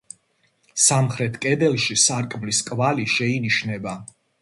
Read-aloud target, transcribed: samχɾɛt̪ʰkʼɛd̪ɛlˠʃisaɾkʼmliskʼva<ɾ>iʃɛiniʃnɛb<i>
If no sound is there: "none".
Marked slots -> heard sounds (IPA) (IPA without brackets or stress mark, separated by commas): l, a